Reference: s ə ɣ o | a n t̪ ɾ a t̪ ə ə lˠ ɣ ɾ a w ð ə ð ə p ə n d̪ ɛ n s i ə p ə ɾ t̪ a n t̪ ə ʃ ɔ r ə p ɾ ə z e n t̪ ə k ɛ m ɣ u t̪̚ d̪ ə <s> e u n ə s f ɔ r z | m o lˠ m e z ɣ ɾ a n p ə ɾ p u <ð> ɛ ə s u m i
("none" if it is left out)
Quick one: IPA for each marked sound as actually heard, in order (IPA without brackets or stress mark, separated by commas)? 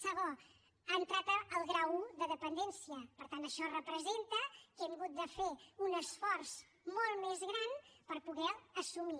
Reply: f, ɣ